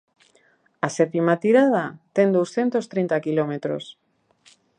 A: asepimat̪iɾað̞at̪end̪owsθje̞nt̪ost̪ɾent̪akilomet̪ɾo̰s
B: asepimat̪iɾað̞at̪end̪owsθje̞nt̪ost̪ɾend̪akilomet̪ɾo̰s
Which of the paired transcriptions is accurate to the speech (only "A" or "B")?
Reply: A